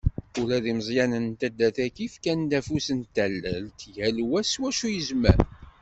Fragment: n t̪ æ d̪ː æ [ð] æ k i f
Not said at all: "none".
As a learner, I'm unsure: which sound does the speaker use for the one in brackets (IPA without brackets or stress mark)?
θ